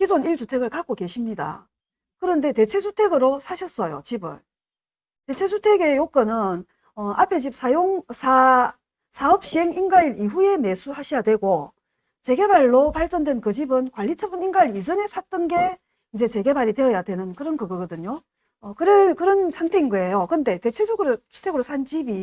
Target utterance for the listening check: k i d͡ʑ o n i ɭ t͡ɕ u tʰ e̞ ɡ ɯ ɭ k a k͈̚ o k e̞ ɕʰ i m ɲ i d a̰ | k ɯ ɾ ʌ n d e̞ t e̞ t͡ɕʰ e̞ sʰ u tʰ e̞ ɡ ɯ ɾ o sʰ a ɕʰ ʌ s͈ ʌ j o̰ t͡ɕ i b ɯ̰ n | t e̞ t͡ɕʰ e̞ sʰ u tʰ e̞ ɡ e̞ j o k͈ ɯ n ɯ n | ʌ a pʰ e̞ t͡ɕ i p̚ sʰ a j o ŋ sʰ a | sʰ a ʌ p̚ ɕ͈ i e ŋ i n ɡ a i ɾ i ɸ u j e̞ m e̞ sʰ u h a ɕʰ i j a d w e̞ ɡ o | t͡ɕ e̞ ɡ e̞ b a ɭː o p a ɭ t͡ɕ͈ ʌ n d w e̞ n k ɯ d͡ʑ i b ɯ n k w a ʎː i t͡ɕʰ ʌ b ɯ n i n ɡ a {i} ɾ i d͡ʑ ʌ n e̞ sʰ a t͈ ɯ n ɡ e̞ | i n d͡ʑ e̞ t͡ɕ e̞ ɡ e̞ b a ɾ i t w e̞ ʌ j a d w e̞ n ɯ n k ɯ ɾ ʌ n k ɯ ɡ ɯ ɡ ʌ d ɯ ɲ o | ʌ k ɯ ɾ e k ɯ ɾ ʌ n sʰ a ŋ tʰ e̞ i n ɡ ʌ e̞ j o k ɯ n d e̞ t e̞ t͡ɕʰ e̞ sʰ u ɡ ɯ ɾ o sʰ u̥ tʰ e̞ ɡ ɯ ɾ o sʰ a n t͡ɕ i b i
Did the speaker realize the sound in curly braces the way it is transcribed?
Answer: yes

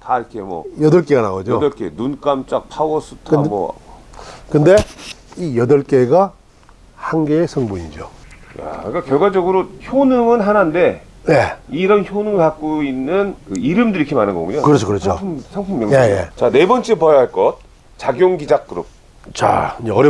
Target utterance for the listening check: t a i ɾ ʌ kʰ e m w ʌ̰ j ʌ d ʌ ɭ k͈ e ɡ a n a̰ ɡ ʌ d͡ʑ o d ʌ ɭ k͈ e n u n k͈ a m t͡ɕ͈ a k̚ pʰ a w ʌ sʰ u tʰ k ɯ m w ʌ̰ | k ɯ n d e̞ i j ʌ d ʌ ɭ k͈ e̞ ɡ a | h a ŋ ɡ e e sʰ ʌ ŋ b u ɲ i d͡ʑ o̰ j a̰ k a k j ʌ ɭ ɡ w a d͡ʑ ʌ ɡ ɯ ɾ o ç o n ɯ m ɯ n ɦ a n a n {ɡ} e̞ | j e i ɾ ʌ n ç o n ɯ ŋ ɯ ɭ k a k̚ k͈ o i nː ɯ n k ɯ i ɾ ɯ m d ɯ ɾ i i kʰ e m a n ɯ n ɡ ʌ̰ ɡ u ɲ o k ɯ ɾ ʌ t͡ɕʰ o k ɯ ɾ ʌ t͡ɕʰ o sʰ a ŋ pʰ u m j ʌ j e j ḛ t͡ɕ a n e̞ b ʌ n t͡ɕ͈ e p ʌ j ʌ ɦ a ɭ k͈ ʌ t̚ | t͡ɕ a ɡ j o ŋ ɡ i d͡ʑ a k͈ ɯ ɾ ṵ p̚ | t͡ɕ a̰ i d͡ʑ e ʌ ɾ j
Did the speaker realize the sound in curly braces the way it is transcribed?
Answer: no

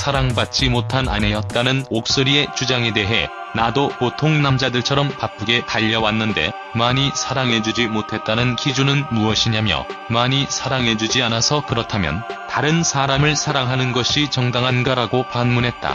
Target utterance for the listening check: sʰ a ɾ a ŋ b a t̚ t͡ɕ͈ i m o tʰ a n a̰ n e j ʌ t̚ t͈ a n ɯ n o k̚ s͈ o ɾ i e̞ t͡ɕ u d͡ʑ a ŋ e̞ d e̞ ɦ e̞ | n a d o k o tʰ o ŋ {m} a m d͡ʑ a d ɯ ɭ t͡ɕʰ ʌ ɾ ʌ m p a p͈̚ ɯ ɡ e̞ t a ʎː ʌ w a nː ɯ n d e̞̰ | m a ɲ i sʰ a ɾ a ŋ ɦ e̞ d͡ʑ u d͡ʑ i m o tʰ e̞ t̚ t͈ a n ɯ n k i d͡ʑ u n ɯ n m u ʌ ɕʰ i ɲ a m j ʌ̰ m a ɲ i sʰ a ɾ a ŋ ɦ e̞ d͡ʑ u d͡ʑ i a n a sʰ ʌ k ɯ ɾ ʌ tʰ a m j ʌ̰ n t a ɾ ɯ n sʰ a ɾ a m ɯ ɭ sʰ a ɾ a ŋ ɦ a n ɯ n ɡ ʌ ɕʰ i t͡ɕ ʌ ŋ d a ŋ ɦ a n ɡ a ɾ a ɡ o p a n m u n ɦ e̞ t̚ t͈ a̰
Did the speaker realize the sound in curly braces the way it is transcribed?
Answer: no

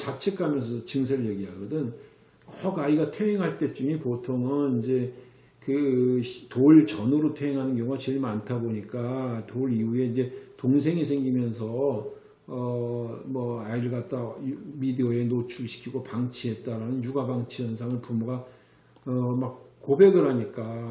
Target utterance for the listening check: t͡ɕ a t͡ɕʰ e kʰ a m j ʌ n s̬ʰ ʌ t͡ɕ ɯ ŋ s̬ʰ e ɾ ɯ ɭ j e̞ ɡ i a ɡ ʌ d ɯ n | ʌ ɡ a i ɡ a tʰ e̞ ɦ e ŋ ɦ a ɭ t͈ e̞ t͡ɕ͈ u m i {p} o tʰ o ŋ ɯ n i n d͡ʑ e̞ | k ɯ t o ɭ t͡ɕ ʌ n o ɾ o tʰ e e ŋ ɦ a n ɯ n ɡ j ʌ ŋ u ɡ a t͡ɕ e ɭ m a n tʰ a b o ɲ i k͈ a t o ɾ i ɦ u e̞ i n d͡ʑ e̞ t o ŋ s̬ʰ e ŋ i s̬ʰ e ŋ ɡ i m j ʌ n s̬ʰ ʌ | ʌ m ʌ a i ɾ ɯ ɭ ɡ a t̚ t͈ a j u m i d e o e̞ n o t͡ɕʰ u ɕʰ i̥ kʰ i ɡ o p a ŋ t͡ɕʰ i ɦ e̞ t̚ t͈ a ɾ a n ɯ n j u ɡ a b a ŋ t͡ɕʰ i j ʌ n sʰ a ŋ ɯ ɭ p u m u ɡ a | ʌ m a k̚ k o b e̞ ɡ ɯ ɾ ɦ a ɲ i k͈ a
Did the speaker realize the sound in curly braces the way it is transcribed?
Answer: yes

